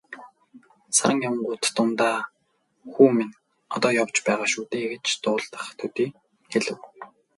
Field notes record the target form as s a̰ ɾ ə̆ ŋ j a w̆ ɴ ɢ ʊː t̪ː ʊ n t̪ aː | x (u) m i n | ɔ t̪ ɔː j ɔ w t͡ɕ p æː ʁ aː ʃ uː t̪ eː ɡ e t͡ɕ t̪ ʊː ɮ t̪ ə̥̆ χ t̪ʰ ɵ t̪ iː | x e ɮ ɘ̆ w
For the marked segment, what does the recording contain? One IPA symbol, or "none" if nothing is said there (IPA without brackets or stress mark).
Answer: uː